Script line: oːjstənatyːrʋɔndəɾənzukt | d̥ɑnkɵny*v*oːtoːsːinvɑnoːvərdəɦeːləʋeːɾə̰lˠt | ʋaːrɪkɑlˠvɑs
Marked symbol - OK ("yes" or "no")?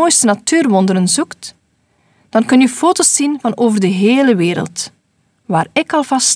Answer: no